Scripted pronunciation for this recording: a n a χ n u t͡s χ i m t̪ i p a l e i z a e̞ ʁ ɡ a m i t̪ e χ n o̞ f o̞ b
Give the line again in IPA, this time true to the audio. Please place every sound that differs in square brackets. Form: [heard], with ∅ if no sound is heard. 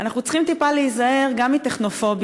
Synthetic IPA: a n a χ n u t͡s χ i m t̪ i p a l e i z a e̞ ʁ ɡ a m i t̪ e χ n o̞ f o̞ b

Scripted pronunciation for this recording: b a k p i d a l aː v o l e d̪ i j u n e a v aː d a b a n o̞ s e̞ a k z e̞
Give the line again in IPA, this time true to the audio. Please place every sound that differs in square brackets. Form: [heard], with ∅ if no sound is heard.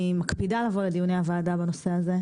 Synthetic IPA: [m] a k p i d a l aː v o l e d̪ i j u n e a v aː d a b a n o̞ s e̞ a [∅] z e̞

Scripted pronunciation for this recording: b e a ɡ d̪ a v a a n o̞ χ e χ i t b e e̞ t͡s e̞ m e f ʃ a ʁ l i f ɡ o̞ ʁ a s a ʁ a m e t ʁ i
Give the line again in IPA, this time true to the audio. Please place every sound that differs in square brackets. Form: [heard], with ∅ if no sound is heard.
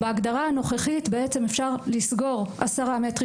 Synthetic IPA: b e a ɡ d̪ a [ʁ] a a n o̞ χ e χ i t b e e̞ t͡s e̞ m e f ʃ a ʁ l i [s] ɡ o̞ ʁ a s a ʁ a m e t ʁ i

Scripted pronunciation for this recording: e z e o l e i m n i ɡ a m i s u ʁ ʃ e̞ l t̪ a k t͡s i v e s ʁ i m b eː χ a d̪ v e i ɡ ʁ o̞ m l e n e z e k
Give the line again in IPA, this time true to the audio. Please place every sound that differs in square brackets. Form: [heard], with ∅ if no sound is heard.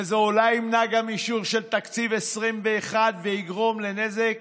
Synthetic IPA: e z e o l [a] i m n [a] ɡ a m i [ʃ] u ʁ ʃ e̞ l t̪ a k t͡s i v e s ʁ i m b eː χ a d̪ v e i ɡ ʁ o̞ m l e n e z e k

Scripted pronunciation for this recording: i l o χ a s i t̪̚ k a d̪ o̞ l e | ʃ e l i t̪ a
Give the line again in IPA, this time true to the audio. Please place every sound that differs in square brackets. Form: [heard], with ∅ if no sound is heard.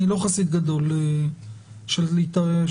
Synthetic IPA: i l o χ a s i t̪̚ [ɡ] a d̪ o̞ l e | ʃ e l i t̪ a

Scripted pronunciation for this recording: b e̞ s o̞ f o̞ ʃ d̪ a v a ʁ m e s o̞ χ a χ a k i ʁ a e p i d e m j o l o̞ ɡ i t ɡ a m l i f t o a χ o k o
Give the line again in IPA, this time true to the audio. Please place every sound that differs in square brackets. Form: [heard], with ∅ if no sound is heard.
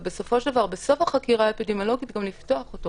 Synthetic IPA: b e̞ s o̞ f o̞ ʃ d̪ a v a ʁ [b] e s o̞ [f] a χ a k i ʁ a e p i d e m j o l o̞ ɡ i t ɡ a m l i f t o a χ o [t] o

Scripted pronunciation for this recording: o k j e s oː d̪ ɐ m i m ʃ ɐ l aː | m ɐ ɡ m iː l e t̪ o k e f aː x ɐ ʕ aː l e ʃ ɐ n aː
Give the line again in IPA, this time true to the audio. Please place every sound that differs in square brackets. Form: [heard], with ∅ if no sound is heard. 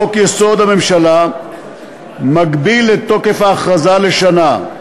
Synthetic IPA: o k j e s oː d̪ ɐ m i m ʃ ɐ l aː | m ɐ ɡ [b] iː l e t̪ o k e f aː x ɐ [z] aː l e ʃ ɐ n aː

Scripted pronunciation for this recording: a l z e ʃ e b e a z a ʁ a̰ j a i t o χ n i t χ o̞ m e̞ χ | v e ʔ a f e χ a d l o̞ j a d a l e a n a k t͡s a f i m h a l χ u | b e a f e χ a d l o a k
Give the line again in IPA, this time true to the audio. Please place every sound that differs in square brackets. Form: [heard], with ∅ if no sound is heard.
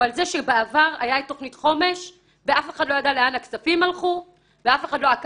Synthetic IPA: a l z e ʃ e b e a [v] a ʁ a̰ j a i t o χ n i t χ o̞ m e̞ [ʃ] | v e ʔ a f e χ a d l o̞ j a d a l e a n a k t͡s a f i m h a l χ u | [v] e a f e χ a d l o a k

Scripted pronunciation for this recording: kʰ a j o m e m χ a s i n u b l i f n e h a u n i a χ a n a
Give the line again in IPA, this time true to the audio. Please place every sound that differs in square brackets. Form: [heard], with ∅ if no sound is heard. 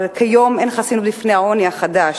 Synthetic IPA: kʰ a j o m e [n] χ a s i n u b l i f n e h a [o] n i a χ a [d] a

